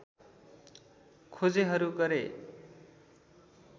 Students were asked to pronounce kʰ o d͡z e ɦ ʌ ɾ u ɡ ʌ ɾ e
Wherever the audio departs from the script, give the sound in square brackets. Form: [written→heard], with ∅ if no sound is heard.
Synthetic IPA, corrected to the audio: kʰ o d͡z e ɦ ʌ ɾ u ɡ ʌ ɾ e